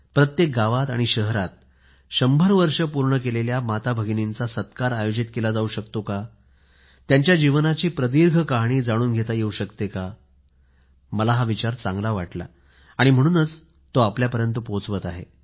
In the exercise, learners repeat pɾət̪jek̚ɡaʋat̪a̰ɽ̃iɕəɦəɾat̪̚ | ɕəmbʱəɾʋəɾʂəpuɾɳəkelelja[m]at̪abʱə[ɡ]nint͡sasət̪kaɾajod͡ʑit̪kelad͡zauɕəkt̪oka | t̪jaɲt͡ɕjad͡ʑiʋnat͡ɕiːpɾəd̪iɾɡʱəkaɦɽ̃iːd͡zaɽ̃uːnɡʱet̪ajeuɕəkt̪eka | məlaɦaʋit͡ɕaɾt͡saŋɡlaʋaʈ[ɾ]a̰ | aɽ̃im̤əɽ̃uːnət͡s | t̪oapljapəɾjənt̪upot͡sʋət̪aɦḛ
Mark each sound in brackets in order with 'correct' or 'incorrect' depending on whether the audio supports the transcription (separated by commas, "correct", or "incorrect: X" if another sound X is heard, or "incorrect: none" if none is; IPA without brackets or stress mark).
correct, correct, incorrect: l